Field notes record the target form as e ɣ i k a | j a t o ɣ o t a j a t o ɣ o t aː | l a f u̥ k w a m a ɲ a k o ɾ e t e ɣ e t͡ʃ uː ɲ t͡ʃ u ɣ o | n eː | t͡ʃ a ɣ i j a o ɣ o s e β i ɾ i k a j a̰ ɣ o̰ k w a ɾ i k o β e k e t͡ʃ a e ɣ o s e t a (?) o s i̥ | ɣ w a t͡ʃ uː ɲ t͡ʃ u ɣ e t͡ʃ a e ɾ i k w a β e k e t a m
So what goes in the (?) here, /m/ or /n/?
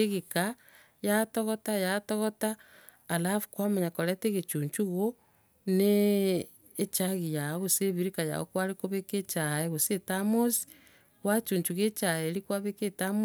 m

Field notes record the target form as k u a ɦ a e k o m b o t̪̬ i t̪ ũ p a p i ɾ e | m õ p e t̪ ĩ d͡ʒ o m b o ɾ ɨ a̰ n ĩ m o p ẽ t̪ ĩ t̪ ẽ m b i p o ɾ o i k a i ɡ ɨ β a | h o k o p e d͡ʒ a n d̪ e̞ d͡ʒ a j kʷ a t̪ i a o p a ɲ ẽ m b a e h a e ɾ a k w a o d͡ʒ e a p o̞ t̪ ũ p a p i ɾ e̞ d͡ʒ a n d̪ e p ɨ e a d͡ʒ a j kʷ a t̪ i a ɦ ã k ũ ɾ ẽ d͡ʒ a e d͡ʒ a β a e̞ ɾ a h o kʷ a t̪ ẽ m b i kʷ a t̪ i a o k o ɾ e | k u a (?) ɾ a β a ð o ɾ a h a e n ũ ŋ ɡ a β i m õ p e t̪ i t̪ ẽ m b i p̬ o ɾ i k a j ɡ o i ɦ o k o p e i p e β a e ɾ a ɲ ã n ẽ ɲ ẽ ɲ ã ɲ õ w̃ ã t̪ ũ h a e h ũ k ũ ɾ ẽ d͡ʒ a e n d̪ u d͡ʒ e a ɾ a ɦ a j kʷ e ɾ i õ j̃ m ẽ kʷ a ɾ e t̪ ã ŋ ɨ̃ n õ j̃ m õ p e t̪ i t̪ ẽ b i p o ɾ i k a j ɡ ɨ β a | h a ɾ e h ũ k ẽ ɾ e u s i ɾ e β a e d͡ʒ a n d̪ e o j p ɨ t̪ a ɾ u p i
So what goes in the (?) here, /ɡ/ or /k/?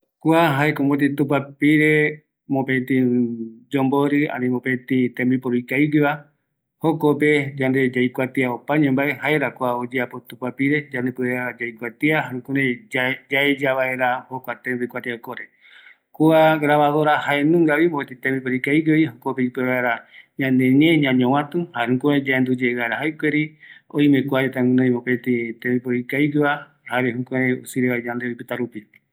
ɡ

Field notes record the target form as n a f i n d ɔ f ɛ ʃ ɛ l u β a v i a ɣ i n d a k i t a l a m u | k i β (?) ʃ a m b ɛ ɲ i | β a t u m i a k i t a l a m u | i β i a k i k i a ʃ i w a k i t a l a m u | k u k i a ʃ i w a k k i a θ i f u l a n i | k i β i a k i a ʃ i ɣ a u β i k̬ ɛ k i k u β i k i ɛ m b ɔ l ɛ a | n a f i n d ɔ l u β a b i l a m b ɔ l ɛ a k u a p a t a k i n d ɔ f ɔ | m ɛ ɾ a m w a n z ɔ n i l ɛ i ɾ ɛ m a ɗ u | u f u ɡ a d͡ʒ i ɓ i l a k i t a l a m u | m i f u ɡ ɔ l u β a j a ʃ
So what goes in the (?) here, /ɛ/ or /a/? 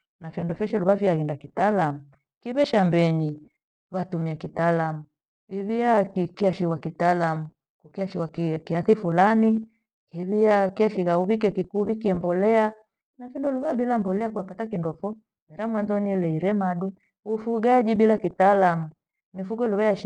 ɛ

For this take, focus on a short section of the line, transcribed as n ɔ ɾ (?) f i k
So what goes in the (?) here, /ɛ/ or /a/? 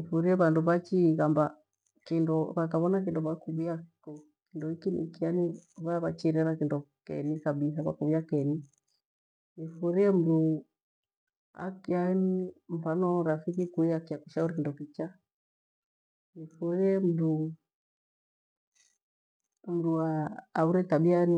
a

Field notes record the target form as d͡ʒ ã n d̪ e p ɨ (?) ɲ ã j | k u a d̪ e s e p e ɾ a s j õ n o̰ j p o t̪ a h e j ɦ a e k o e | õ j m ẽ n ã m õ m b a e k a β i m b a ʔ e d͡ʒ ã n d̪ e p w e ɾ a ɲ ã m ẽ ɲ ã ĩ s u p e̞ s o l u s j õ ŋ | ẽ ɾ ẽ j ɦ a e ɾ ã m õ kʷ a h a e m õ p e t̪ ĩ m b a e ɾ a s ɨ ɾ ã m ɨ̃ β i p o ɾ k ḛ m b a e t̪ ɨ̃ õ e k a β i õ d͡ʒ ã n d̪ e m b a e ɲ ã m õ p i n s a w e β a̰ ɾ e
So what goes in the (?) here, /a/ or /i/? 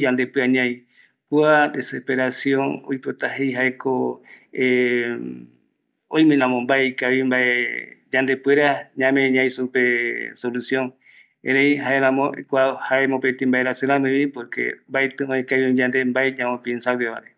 a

